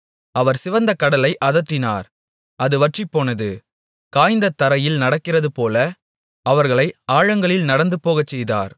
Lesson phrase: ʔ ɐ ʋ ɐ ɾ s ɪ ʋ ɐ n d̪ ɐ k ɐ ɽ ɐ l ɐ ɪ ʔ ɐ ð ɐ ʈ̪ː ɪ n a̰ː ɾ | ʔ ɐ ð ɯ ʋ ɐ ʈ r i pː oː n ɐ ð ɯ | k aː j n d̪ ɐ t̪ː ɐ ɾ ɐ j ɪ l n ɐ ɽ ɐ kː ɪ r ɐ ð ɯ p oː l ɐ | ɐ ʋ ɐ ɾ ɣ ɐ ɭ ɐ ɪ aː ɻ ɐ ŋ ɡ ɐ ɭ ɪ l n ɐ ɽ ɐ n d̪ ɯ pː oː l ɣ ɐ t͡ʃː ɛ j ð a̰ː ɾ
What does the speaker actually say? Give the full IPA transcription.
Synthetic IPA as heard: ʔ ɐ ʋ ɐ ɾ s ɪ ʋ ɐ n d̪ ɐ k ɐ ɽ ɐ l ɐ ɪ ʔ ɐ ð ɐ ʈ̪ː ɪ n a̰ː ɾ | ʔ ɐ ð ɯ ʋ ɐ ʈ r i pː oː n ɐ ð ɯ | k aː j n d̪ ɐ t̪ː ɐ ɾ ɐ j ɪ l n ɐ ɽ ɐ kː ɪ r ɐ ð ɯ p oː l ɐ | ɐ ʋ ɐ ɾ ɣ ɐ ɭ ɐ ɪ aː ɻ ɐ ŋ ɡ ɐ ɭ ɪ l n ɐ ɽ ɐ n d̪ ɯ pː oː ɣ ɐ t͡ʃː ɛ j ð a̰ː ɾ